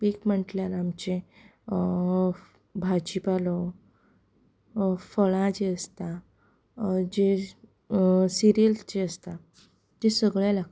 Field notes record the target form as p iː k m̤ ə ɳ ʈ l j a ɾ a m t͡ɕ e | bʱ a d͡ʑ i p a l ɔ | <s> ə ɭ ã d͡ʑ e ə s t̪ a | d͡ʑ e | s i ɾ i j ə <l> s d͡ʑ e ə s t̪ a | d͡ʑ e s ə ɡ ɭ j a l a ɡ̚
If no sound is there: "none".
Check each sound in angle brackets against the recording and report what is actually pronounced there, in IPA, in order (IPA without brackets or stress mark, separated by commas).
f, l